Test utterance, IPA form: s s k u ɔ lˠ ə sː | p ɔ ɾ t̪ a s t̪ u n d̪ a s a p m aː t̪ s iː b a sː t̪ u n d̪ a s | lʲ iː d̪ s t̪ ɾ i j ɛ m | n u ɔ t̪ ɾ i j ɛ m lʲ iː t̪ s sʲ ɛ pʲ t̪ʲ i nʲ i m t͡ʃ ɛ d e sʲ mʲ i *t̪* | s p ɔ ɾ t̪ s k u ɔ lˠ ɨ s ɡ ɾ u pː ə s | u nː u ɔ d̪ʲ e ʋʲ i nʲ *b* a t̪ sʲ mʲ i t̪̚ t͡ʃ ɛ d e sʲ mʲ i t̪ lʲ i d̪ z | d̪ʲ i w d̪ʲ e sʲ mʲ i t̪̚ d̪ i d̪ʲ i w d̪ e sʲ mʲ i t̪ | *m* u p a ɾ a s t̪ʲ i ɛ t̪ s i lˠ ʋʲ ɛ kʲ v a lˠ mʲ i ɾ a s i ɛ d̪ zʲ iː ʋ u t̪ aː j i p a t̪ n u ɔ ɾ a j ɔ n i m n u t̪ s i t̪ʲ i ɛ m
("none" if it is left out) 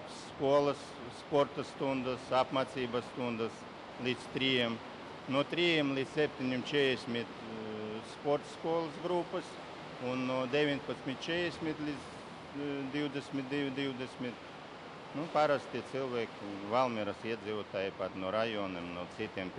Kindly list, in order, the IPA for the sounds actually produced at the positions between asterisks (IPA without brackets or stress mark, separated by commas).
t̪, p, n